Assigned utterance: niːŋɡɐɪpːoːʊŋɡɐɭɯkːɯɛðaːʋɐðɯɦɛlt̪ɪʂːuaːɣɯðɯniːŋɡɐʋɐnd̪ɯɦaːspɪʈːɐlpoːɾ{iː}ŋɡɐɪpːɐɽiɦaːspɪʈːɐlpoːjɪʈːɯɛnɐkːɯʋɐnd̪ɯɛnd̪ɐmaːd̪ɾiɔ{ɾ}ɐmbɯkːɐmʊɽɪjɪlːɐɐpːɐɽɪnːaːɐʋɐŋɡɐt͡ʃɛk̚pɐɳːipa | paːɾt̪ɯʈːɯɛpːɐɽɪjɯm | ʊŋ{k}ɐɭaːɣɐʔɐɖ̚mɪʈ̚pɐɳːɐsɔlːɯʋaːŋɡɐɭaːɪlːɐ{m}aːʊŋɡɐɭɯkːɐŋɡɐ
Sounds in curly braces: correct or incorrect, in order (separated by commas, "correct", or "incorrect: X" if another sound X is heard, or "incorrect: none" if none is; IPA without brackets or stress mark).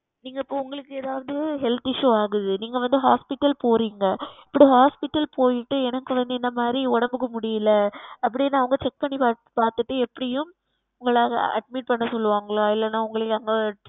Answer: correct, incorrect: ɽ, incorrect: ɡ, incorrect: n